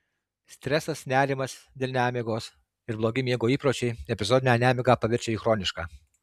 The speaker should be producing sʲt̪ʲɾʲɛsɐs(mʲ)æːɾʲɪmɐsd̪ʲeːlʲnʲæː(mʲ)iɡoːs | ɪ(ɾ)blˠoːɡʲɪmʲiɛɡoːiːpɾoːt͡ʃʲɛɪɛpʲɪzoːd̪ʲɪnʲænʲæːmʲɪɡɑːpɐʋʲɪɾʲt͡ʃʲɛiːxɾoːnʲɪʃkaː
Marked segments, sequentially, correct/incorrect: incorrect: nʲ, correct, correct

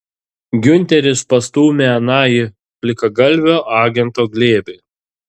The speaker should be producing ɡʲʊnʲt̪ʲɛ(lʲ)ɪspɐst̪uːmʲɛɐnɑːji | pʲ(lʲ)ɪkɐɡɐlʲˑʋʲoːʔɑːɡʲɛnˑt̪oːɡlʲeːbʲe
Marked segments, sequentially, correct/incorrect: incorrect: ɾʲ, correct

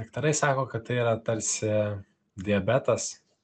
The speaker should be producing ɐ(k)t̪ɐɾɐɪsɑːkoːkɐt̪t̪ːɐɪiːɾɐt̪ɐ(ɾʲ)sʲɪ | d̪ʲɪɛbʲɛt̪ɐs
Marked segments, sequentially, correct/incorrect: correct, correct

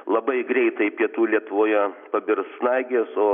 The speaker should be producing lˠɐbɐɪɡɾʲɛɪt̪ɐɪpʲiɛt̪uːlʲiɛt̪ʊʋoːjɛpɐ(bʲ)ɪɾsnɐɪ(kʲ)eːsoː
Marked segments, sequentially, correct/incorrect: correct, incorrect: ɡʲ

